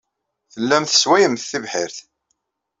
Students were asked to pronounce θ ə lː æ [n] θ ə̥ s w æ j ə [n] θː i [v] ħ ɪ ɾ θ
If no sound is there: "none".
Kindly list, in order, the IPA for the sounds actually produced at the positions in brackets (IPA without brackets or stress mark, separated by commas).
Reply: m, m, v